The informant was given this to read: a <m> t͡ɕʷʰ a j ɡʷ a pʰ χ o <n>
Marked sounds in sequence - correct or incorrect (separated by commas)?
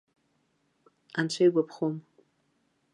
incorrect, incorrect